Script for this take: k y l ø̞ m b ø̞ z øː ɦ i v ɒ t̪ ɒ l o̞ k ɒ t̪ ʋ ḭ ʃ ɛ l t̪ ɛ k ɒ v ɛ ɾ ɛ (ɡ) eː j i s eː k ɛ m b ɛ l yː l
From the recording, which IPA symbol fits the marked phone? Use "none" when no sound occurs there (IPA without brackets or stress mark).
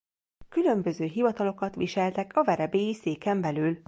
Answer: b